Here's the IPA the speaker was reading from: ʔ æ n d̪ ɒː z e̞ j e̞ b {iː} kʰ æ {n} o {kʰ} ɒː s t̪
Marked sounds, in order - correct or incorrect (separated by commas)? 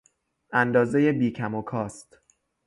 correct, incorrect, correct